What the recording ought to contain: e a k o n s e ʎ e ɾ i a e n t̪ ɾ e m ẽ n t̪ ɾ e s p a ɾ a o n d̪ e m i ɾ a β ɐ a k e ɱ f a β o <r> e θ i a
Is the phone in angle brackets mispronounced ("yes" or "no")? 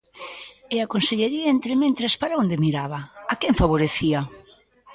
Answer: yes